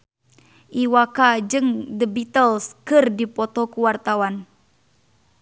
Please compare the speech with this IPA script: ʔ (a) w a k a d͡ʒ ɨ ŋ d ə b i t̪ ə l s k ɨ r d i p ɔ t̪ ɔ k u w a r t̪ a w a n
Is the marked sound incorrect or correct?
incorrect